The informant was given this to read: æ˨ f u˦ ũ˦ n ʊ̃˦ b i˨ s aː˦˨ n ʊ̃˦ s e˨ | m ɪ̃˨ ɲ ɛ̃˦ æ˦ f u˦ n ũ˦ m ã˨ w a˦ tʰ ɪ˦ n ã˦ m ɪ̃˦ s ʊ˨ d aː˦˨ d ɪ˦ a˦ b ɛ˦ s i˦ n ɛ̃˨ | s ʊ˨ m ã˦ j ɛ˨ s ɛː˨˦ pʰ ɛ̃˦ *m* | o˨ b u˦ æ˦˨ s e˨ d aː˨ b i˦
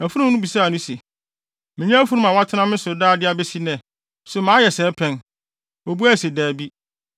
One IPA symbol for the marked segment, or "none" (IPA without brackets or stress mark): n